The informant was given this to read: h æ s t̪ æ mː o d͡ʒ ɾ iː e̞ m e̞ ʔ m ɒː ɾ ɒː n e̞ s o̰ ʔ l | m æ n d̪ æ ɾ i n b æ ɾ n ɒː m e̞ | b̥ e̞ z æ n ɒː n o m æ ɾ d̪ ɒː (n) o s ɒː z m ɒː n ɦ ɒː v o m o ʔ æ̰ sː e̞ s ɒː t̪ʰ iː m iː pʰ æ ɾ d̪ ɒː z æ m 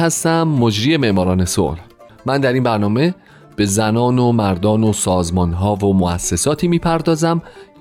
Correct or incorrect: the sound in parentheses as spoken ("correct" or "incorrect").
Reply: correct